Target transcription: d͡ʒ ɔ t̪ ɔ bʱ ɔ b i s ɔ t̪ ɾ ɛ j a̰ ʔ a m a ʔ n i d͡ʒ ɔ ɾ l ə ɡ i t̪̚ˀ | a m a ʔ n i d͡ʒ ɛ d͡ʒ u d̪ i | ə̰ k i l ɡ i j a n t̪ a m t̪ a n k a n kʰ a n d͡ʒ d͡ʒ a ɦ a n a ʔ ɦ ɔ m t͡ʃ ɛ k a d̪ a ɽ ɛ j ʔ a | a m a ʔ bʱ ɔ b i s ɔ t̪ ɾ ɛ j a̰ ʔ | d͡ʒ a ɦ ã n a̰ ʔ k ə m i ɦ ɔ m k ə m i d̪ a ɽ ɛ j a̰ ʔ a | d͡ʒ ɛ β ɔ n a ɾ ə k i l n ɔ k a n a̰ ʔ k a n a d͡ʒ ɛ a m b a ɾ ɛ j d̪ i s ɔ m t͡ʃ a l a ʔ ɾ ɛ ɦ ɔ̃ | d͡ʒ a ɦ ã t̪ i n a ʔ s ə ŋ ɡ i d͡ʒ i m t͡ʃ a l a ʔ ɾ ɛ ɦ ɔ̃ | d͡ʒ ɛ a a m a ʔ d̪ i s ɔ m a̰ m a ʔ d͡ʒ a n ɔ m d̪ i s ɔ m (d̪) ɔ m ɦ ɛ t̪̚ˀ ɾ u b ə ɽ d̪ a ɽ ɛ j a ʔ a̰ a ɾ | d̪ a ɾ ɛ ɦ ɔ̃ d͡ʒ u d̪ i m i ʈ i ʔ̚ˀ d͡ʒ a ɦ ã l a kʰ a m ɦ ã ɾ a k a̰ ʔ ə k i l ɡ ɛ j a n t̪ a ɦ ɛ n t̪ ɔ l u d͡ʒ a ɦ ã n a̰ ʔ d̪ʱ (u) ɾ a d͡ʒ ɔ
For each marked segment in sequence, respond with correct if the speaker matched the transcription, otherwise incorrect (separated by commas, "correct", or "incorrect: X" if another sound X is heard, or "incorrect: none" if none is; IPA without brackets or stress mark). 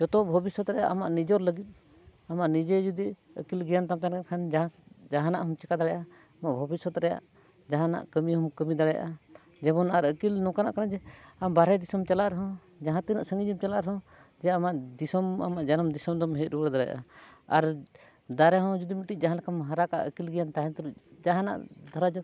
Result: correct, incorrect: ɔ